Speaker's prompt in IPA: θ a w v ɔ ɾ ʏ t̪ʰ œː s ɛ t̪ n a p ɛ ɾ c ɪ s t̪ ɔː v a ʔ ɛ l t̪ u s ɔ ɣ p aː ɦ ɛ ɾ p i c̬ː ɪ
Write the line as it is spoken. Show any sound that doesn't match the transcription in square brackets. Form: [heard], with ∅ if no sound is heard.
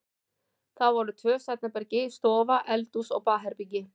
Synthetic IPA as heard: θ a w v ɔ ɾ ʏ t̪ʰ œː s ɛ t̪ n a p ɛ ɾ c ɪ s t̪ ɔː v a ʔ ɛ l t̪ u s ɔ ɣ p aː ɦ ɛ ɾ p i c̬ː ɪ